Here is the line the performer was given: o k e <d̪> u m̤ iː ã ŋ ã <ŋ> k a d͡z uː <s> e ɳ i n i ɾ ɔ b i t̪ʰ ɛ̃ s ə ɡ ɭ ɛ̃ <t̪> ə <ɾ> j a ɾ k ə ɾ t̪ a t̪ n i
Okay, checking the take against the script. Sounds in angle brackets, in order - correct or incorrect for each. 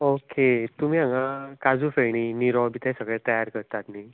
incorrect: t̪, incorrect: none, incorrect: f, correct, incorrect: none

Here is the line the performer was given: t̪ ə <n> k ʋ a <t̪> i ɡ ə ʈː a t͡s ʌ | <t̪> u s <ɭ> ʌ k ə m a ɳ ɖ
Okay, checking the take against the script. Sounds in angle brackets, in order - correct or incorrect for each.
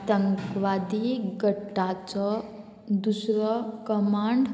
incorrect: ŋ, incorrect: d̪, incorrect: d̪, incorrect: ɾ

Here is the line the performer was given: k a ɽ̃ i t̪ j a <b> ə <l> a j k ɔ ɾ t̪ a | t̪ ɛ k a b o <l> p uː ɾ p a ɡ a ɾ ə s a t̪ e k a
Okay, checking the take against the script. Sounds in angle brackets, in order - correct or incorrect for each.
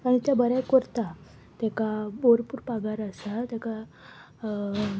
correct, incorrect: ɾ, incorrect: ɾ

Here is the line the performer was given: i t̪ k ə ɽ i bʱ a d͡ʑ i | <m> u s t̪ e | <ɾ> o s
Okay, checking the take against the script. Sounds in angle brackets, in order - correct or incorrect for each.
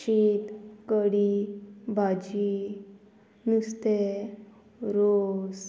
incorrect: n, correct

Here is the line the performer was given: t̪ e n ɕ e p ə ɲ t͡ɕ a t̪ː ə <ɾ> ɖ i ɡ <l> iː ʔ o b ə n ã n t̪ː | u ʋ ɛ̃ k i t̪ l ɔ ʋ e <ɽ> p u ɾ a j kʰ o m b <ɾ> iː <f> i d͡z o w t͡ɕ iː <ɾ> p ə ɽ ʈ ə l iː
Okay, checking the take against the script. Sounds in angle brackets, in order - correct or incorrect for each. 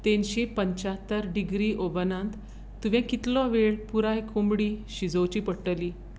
correct, incorrect: ɾ, incorrect: ɭ, incorrect: ɽ, incorrect: ɕ, incorrect: none

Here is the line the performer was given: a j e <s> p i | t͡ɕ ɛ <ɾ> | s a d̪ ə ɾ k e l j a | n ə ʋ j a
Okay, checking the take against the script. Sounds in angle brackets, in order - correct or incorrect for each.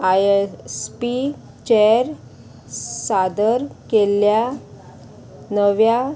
correct, correct

